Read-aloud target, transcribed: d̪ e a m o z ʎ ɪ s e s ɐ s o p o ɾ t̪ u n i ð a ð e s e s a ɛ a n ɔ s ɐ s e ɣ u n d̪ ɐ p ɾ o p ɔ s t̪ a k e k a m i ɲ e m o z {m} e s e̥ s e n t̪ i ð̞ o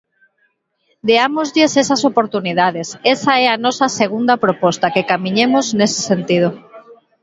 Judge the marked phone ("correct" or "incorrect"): incorrect